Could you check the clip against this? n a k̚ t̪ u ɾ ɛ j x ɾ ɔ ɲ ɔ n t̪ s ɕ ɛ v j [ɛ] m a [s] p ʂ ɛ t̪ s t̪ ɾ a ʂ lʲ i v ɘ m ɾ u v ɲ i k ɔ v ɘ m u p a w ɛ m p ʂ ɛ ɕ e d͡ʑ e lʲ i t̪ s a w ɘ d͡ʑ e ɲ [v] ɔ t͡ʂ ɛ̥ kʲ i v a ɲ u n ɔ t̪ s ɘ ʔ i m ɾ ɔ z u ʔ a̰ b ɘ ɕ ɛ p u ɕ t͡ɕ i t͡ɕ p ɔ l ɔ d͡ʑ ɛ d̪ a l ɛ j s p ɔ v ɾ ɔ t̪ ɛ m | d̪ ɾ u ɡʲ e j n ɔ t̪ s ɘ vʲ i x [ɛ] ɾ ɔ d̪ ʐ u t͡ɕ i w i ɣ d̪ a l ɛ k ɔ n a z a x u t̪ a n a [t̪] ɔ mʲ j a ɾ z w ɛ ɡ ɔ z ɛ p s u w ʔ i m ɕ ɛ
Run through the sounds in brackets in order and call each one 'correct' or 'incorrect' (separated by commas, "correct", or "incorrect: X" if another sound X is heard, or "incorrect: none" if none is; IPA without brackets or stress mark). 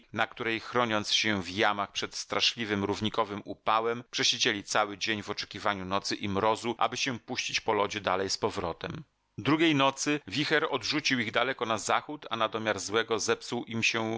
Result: incorrect: a, incorrect: x, correct, correct, incorrect: d̪